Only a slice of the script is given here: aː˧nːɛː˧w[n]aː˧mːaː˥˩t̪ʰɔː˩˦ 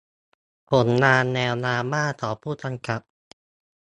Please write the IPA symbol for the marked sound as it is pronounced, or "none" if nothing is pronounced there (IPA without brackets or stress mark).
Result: n